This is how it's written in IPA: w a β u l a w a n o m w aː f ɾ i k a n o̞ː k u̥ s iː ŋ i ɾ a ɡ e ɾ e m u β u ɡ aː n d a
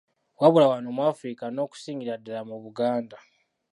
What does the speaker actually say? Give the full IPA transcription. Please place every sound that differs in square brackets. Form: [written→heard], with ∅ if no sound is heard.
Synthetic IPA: w a β u l a w a n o m w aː f ɾ i k a n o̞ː k u̥ s iː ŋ i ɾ a [ɡ→d] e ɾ [e→a] m u β u ɡ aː n d a